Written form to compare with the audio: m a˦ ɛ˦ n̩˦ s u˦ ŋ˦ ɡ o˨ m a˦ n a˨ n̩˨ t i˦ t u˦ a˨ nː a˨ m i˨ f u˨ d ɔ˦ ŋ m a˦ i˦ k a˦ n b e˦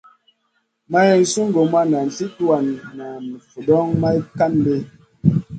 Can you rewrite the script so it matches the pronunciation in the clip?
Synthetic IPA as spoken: m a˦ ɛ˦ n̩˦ s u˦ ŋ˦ ɡ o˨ m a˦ n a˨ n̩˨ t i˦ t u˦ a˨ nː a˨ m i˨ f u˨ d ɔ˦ ŋ m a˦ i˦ k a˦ n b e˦